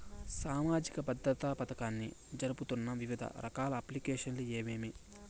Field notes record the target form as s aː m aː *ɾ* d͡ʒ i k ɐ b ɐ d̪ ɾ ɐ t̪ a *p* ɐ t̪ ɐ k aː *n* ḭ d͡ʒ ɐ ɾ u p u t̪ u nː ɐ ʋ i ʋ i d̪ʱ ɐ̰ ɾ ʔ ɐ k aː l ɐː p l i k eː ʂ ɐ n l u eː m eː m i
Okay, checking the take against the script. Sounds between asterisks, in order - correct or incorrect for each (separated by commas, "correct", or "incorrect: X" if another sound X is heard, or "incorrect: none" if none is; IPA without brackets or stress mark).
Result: incorrect: none, correct, incorrect: nː